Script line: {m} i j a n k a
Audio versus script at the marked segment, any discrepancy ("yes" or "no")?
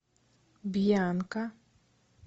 yes